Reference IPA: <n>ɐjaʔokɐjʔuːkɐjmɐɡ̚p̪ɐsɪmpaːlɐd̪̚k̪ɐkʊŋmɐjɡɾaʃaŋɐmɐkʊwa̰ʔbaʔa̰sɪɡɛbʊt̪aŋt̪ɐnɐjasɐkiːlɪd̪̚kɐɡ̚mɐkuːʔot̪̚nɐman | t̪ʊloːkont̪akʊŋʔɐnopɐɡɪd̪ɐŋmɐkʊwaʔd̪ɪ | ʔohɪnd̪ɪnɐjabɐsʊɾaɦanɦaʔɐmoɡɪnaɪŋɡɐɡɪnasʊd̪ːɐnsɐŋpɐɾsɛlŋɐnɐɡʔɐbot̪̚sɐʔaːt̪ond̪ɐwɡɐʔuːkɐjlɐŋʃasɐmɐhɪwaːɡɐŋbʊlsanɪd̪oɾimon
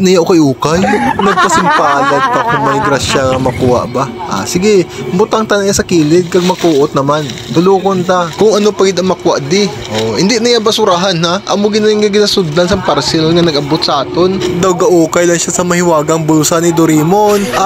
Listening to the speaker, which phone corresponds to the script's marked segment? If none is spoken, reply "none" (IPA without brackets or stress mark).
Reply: n